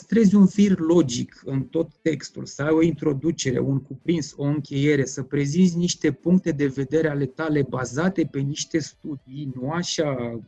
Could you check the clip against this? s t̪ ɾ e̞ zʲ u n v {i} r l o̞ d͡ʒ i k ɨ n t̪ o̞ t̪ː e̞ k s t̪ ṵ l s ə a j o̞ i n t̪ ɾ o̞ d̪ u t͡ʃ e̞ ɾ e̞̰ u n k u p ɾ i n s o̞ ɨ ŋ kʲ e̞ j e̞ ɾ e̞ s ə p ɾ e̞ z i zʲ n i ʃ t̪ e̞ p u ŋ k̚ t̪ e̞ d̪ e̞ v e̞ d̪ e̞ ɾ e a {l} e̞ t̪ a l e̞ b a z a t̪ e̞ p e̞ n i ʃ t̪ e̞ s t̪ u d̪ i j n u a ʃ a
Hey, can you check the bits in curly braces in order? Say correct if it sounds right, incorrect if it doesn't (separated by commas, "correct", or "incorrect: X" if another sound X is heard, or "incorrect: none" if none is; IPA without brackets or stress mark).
correct, correct